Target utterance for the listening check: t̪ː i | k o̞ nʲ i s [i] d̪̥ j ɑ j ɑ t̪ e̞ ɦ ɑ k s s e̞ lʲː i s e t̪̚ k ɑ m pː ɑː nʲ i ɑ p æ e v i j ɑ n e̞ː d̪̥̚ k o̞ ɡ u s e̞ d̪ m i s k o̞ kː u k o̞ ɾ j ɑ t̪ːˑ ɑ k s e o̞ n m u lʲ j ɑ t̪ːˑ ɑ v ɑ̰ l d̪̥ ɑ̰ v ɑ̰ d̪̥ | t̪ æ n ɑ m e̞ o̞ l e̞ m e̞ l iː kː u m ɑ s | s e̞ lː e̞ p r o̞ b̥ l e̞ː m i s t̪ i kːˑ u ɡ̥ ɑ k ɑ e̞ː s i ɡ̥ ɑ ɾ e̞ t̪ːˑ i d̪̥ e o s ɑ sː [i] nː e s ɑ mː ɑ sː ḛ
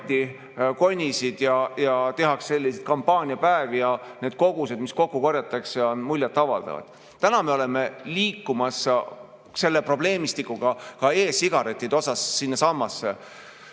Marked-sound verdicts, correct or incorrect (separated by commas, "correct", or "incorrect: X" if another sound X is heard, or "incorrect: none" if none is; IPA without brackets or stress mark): correct, correct